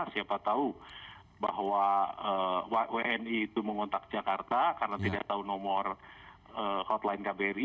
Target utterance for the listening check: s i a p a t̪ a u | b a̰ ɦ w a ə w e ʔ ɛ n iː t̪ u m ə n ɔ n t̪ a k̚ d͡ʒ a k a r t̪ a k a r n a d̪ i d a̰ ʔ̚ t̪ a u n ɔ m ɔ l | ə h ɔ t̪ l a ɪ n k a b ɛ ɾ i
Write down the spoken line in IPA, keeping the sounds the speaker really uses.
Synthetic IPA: s i a p a t̪ a u | b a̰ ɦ w a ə w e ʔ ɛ n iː t̪ u m ə ŋ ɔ n t̪ a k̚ d͡ʒ a k a r t̪ a k a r n a t̪ i d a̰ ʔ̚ t̪ a u n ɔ m ɔ r | ə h ɔ t̪ l a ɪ n k a b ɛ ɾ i